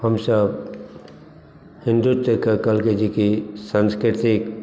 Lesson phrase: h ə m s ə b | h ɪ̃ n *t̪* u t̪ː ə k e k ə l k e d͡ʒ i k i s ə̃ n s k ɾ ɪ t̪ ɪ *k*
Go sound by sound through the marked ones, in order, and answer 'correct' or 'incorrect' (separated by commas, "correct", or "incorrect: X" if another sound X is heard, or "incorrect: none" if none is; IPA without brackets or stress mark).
incorrect: d̪, correct